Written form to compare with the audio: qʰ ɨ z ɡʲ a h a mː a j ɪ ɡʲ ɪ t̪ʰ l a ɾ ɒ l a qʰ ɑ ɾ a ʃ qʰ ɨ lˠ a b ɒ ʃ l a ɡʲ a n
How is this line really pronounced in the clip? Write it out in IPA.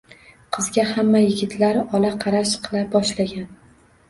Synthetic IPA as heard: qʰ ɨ z ɡʲ a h a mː a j ɪ ɡʲ ɪ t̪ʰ l a ɾ ɒ l a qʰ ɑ ɾ a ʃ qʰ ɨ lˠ a b ɒ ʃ l a ɡʲ a n